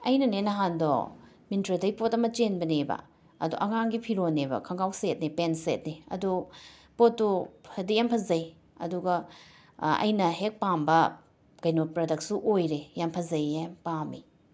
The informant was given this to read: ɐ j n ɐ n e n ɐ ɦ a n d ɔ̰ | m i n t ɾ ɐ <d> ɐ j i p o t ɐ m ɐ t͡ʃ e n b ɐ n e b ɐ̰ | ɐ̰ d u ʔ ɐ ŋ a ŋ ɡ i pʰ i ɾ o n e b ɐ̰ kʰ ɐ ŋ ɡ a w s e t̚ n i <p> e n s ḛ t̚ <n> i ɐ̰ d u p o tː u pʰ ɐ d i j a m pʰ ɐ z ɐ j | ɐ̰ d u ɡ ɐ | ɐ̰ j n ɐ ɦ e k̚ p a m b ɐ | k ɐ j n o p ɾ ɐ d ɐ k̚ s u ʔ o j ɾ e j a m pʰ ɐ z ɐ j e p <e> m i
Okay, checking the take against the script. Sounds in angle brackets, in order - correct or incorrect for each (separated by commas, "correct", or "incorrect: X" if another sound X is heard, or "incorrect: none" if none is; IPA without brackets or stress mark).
correct, correct, correct, incorrect: a